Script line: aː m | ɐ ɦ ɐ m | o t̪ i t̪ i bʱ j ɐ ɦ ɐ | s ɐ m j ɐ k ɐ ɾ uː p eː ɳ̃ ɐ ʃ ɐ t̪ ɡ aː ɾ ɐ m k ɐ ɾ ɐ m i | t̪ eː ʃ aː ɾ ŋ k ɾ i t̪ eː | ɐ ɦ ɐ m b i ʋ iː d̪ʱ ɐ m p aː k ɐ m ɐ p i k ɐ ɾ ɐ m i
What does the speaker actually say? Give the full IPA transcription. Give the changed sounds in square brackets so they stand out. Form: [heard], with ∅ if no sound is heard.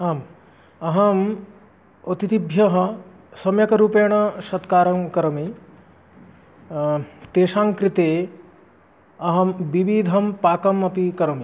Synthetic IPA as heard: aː m | ɐ ɦ ɐ m | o t̪ i t̪ i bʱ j ɐ ɦ ɐ | s ɐ m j ɐ k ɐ ɾ uː p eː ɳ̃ ɐ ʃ ɐ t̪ [k] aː ɾ ɐ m k ɐ ɾ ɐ m i | t̪ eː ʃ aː [∅] ŋ k ɾ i t̪ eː | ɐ ɦ ɐ m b i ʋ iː d̪ʱ ɐ m p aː k ɐ m ɐ p i k ɐ ɾ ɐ m i

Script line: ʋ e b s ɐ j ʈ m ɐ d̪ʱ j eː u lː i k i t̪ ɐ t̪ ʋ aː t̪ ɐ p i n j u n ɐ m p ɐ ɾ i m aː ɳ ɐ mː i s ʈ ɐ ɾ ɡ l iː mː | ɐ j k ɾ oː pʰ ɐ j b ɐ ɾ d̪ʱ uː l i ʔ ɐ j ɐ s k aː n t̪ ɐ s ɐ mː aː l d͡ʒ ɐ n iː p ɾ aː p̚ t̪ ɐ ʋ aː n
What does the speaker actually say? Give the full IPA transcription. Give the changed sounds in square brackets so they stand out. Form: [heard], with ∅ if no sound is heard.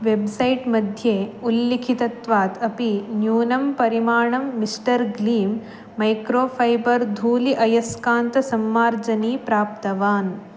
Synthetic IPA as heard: ʋ e b s ɐ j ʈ m ɐ d̪ʱ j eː u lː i [kʰ] i t̪ ɐ t̪ ʋ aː t̪ ɐ p i n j [uː] n ɐ m p ɐ ɾ i m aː ɳ ɐ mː i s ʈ ɐ ɾ ɡ l iː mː | ɐ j k ɾ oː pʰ ɐ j b ɐ ɾ d̪ʱ uː l i ʔ ɐ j ɐ s k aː n t̪ ɐ s ɐ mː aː [ɾ] d͡ʒ ɐ n iː p ɾ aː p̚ t̪ ɐ ʋ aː n

